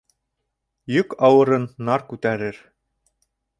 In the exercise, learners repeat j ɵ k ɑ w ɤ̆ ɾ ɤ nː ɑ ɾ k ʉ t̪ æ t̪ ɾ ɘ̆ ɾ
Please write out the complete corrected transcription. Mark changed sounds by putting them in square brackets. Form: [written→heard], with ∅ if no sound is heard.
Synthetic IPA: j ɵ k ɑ w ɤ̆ ɾ ɤ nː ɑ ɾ k ʉ t̪ æ [t̪→∅] ɾ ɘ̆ ɾ